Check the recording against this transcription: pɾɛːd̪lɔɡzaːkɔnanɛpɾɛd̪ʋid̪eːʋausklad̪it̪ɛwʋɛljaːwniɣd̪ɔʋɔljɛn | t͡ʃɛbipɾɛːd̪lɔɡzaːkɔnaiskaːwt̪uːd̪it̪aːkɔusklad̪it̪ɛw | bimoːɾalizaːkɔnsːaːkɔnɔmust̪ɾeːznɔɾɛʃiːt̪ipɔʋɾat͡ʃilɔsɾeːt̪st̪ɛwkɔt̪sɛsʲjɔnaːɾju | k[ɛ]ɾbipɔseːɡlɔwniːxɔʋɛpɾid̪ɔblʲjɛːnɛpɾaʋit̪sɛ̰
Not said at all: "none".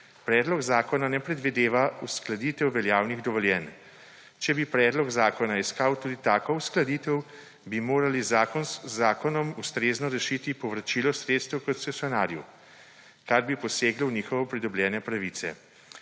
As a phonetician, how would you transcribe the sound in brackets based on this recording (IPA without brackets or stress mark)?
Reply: a